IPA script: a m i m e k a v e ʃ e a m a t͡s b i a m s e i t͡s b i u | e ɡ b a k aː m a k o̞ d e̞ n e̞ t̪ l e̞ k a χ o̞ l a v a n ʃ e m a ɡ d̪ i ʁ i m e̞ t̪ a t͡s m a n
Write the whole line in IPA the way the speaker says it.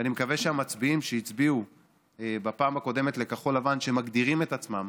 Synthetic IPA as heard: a n i m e k a v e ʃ e a m a t͡s b i i m ʃ e i t͡s b i u | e b a p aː m a k o̞ d e̞ m e̞ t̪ l e̞ k a χ o̞ l a v a n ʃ e m a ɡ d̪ i ʁ i m e̞ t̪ a t͡s m a m